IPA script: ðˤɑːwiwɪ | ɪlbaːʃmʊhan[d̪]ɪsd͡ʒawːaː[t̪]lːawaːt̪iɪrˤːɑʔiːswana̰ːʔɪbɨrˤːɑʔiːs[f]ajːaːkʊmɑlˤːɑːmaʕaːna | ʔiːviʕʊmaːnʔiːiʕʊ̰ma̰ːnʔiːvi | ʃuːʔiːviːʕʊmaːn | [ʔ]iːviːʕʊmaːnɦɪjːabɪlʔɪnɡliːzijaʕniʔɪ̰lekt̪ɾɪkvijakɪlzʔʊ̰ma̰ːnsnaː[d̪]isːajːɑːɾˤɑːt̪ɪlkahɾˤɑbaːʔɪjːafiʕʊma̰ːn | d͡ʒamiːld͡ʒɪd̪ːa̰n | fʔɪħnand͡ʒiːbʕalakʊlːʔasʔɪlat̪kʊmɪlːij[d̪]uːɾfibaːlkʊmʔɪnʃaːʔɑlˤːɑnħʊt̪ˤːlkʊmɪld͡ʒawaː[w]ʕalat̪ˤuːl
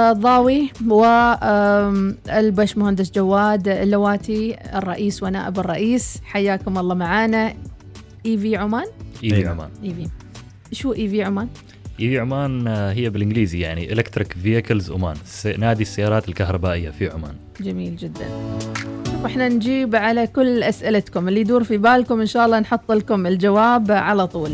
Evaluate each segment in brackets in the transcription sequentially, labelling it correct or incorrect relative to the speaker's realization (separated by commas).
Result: correct, incorrect, incorrect, correct, correct, correct, incorrect